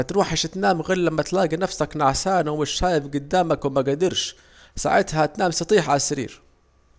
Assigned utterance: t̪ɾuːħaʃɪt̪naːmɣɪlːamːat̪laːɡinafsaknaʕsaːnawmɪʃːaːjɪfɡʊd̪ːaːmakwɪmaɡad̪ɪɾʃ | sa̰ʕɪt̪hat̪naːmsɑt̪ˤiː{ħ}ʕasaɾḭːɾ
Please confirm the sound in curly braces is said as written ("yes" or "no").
yes